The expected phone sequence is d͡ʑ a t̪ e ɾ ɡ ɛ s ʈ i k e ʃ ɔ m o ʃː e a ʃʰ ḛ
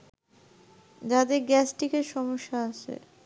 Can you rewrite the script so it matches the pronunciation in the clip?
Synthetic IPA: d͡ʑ a d̪ e ɾ ɡ ɛ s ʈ i k e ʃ ɔ m o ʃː a a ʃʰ ḛ